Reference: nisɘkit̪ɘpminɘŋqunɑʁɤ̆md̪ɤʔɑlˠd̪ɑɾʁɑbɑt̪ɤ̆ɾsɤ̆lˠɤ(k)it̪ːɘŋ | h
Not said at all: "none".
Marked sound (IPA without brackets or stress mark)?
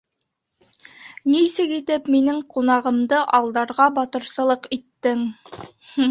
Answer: q